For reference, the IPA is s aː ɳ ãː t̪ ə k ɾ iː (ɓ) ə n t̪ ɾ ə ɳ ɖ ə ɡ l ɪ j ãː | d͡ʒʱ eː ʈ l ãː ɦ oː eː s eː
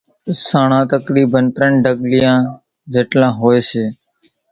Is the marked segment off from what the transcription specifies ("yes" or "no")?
yes